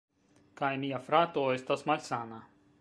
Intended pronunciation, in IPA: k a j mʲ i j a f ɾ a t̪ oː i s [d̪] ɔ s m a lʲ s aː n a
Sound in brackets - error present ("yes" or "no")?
yes